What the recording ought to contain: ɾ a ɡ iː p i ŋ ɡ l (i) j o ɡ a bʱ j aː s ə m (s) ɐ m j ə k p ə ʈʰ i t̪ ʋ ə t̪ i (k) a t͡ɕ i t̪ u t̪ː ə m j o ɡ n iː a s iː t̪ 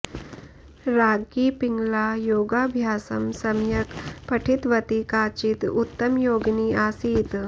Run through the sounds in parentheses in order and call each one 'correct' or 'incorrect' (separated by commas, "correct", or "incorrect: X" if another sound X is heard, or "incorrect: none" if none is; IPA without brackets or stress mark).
incorrect: a, correct, correct